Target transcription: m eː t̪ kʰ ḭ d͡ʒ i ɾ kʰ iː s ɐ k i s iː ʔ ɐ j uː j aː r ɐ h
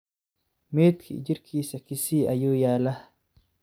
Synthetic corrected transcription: m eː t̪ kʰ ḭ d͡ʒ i ɾ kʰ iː s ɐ k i s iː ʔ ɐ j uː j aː l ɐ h